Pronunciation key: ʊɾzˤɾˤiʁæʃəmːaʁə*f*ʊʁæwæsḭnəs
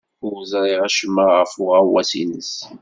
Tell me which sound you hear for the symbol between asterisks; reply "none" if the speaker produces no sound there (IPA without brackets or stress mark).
f